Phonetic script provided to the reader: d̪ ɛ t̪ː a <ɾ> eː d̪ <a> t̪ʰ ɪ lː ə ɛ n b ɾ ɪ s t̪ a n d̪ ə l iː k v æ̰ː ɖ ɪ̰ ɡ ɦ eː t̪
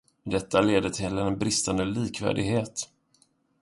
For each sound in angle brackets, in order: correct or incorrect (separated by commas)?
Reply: incorrect, incorrect